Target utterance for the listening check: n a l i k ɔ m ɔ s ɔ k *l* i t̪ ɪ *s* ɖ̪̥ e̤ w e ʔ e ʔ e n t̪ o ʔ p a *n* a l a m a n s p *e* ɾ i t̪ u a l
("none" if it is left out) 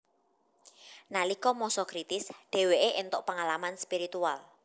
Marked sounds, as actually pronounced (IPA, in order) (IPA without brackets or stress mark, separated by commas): ɾ, s, ŋ, i